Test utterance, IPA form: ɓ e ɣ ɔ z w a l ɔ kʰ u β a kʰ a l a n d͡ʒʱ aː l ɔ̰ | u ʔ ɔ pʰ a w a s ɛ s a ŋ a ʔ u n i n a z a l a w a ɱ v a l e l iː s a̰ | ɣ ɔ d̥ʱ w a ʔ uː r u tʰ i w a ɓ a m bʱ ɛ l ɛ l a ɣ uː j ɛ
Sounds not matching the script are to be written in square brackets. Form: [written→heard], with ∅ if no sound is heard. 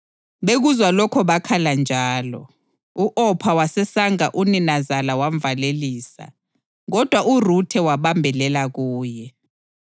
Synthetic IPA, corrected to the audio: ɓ e ɣ [ɔ→u] z w a l ɔ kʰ [u→ɔ] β a kʰ a l a n d͡ʒʱ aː l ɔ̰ | u ʔ ɔ pʰ a w a s ɛ s a ŋ a ʔ u n i n a z a l a w a ɱ v a l e l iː s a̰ | ɣ ɔ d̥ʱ w a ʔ [uː→u] r u tʰ [i→ɛ] w a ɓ a m bʱ ɛ l ɛ l a ɣ uː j ɛ

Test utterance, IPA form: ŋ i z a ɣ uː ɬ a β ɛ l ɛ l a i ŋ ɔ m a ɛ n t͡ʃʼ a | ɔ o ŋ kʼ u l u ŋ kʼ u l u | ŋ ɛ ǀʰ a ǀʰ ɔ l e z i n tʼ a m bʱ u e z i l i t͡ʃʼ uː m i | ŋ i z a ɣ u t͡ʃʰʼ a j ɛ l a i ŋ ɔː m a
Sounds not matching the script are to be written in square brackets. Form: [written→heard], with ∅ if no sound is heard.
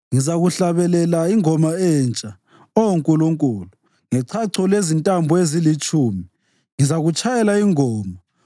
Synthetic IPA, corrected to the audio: ŋ i z a ɣ [uː→u] ɬ a β ɛ l ɛ l a i ŋ ɔ m a ɛ n t͡ʃʼ a | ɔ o ŋ kʼ u l u ŋ kʼ u l u | ŋ ɛ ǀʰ a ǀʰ ɔ l e z i n tʼ a m bʱ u e z i l i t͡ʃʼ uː m i | ŋ i z a ɣ u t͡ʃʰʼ a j ɛ l a i ŋ ɔː m a

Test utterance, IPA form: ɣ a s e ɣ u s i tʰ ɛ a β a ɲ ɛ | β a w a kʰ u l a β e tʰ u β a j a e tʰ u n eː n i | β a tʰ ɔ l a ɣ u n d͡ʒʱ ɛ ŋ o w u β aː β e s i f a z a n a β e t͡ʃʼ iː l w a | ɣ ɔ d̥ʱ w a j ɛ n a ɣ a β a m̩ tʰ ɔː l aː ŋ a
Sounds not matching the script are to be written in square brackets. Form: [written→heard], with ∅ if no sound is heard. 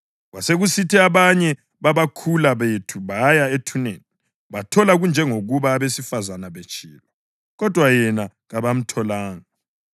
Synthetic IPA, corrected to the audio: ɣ a s e ɣ u s i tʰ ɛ a β a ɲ ɛ | β a [w→β] a kʰ u l a β e tʰ u β a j a e tʰ u n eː n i | β a tʰ ɔ l a ɣ u n d͡ʒʱ ɛ ŋ o [w→ɣ] u β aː β e s i f a z a n a β e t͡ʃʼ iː l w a | ɣ ɔ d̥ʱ w a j ɛ n a ɣ a β a m̩ tʰ [ɔː→ɔ] l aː ŋ a

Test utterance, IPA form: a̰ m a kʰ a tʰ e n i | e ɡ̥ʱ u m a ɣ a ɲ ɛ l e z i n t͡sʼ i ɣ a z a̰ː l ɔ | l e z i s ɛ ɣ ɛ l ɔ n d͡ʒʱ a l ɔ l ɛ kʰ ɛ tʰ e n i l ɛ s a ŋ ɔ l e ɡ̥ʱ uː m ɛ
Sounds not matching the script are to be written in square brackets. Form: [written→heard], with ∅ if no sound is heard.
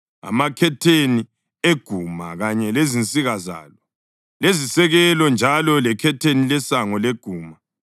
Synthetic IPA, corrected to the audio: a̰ m a kʰ [a→ɛ] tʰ e n i | e ɡ̥ʱ u m a ɣ a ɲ ɛ l e z i n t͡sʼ i ɣ a z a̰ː l ɔ | l e z i s ɛ ɣ ɛ l ɔ n d͡ʒʱ a l ɔ l ɛ kʰ ɛ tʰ e n i l ɛ s a ŋ ɔ l e ɡ̥ʱ uː m [ɛ→a]

